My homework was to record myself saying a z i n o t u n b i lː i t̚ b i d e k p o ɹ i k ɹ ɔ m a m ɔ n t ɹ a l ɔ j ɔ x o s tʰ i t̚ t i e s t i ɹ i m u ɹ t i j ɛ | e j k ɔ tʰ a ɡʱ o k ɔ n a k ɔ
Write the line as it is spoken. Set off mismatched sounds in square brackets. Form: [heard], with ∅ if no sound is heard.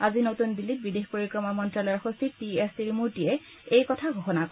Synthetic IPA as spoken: a z i n o t u n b i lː i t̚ b i d e [x] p o ɹ i k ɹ ɔ m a m ɔ n t ɹ a l ɔ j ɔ x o s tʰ i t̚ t i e s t i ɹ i m u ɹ t i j ɛ | e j k ɔ tʰ a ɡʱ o [x] ɔ n a k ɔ